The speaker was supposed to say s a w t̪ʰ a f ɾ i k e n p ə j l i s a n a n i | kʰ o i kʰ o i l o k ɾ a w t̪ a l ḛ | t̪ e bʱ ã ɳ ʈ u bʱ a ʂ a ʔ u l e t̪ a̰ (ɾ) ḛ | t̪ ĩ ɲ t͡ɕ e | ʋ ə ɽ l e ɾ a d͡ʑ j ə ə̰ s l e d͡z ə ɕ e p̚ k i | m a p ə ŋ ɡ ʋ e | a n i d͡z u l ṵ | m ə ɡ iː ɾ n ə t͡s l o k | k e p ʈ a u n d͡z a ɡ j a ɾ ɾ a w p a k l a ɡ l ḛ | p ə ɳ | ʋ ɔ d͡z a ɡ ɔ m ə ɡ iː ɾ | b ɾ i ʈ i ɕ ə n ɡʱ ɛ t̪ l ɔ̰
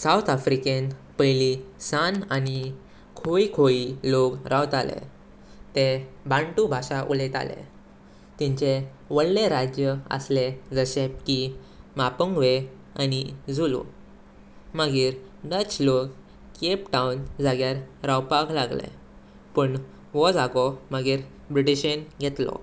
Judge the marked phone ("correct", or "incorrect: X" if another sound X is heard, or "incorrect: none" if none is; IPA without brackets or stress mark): incorrect: l